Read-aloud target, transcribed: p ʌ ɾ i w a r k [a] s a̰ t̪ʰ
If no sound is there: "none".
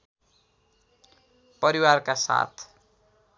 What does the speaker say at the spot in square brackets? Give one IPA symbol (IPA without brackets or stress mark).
a